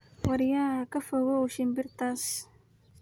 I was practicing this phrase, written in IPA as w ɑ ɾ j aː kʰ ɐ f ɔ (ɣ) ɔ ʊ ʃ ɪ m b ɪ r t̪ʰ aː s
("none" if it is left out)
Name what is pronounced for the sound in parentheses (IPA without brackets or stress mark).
ɣ